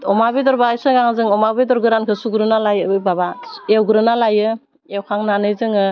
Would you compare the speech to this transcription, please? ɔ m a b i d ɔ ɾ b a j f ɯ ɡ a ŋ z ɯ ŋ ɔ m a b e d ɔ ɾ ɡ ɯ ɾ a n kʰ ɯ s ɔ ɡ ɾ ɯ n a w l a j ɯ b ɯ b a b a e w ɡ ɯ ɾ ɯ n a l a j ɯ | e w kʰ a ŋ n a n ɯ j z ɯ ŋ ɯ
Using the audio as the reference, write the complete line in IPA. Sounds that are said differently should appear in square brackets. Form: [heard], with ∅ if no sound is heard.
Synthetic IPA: ɔ m a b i d ɔ ɾ b a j [s] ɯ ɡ a ŋ z ɯ ŋ ɔ m a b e d ɔ ɾ ɡ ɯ ɾ a n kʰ ɯ s [u] ɡ ɾ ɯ n a [∅] l a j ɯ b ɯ b a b a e w ɡ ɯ ɾ ɯ n a l a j ɯ | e w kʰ a ŋ n a n ɯ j z ɯ ŋ ɯ